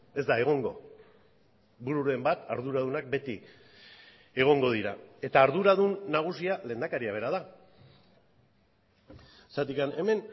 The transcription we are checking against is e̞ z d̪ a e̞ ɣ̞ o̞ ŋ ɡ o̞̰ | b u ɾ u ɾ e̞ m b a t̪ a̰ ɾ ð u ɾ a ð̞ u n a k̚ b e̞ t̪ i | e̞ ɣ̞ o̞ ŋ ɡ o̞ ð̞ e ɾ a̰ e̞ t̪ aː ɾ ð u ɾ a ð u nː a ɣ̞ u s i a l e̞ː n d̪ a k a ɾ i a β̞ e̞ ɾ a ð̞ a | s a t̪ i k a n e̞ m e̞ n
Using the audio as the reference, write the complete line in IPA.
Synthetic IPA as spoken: e̞ z d̪ a e̞ ɣ̞ o̞ ŋ ɡ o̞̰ | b u ɾ u ɾ e̞ m b a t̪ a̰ ɾ ð u ɾ a ð̞ u n a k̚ b e̞ t̪ i | e̞ ɣ̞ o̞ ŋ ɡ o̞ ð̞ i ɾ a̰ e̞ t̪ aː ɾ ð u ɾ a ð u nː a ɣ̞ u s i a l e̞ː n d̪ a k a ɾ i a β̞ e̞ ɾ a ð̞ a | s a t̪ i k a n e̞ m e̞ n

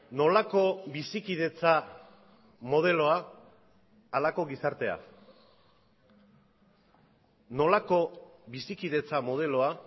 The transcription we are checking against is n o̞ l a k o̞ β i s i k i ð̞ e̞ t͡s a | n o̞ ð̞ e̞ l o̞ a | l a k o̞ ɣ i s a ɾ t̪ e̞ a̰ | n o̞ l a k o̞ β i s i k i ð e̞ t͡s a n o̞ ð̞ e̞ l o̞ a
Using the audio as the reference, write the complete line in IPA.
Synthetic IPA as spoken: n o̞ l a k o̞ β i s i k i ð̞ e̞ t͡s a | m o̞ ð̞ e̞ l o̞ a | l a k o̞ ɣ i s a ɾ t̪ e̞ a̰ | n o̞ l a k o̞ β i s i k i ð e̞ t͡s a m o̞ ð̞ e̞ l o̞ a

